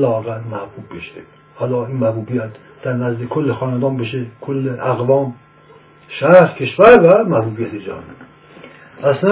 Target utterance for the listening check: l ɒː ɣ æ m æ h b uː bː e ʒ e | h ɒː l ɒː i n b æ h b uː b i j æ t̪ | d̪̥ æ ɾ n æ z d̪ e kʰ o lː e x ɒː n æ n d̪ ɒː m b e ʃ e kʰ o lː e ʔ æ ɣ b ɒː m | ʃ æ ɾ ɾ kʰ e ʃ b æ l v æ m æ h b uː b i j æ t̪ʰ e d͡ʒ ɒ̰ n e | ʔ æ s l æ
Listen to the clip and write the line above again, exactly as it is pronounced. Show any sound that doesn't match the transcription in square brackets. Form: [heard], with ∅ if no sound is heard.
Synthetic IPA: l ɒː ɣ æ m æ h b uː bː e [ʃ] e | h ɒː l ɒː i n [m] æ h b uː b i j æ t̪ | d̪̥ æ ɾ n æ z d̪ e kʰ o lː e x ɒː n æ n d̪ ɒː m b e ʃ e kʰ o lː e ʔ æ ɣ [v] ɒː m | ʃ æ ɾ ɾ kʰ e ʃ [v] æ [ɾ] v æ m æ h b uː b i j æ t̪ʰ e d͡ʒ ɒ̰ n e | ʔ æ s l æ